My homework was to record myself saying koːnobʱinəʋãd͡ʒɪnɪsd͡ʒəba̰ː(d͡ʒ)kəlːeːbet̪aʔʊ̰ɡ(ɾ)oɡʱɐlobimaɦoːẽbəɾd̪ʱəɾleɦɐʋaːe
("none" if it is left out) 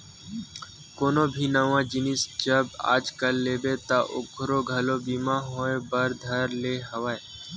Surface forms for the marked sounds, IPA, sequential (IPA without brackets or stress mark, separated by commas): d͡ʒ, ɾ